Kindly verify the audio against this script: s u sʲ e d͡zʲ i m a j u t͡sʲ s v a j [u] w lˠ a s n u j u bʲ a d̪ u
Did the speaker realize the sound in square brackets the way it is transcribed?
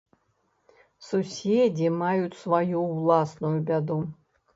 yes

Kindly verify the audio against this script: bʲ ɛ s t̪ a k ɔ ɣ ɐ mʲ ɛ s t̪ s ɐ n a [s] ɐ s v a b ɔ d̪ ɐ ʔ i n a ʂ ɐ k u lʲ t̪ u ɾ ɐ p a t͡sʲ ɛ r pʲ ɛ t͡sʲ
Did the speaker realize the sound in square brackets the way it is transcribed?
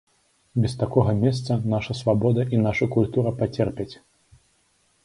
no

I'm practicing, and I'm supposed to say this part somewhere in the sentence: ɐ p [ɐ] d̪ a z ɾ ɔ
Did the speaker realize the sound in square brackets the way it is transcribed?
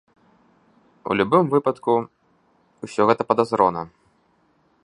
yes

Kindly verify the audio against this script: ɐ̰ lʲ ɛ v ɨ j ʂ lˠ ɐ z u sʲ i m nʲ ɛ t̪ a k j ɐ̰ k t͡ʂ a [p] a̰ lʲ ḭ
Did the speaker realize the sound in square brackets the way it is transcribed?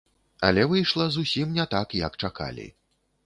no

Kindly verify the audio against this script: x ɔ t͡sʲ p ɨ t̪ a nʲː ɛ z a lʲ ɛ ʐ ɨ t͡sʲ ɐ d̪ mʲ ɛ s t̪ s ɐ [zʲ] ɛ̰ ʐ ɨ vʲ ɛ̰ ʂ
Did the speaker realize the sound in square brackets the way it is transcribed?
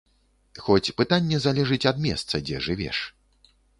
no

